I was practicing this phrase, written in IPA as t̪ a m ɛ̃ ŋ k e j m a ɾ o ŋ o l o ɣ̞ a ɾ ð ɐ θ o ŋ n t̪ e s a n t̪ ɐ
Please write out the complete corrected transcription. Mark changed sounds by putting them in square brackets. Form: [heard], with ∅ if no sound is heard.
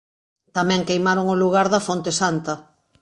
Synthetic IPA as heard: t̪ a m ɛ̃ ŋ k e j m a ɾ o ŋ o l [u] ɣ̞ a ɾ ð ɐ [f] o [∅] n t̪ e s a n t̪ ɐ